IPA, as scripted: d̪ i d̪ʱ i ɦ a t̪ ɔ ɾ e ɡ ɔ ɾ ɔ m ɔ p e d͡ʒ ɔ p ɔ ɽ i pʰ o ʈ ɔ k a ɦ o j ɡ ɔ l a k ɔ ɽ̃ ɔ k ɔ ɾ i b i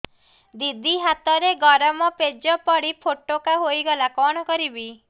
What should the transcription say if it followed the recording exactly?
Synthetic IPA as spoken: d̪ i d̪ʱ i ɦ a t̪ ɔ ɾ e ɡ ɔ ɾ ɔ m ɔ p e d͡ʒ ɔ p ɔ ɽ i pʰ o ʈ o k a ɦ o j ɡ ɔ l a k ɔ ɽ̃ ɔ k ɔ ɾ i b i